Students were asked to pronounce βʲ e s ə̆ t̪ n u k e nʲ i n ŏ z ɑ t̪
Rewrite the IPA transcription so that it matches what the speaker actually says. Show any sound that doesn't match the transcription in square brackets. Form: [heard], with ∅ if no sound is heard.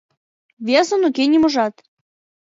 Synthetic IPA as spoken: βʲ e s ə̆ [∅] n u k e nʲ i [m] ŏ [ʒ] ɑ t̪